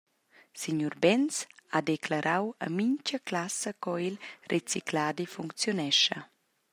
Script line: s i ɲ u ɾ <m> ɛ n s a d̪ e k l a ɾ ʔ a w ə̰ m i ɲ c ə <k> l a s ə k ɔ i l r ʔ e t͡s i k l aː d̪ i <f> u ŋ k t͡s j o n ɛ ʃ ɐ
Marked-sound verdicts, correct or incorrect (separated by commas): incorrect, correct, correct